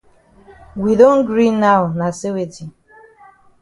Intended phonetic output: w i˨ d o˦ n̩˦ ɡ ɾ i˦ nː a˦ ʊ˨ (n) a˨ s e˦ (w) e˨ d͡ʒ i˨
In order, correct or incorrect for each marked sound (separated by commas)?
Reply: correct, correct